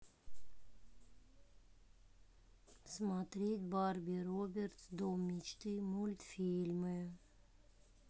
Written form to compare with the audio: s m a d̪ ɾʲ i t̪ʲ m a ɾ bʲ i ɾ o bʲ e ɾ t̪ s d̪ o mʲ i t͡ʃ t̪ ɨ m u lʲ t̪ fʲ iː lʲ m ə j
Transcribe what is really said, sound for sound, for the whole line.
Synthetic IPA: s m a t̪ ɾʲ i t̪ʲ b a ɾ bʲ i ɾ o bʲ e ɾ t̪ s d̪ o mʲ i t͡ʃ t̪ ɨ m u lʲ t̪ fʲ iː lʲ m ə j